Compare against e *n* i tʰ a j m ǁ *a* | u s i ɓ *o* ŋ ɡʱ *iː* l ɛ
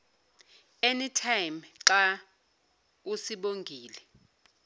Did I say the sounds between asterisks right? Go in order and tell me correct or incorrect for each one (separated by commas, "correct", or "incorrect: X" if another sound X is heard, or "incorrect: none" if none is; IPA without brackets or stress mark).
correct, correct, correct, correct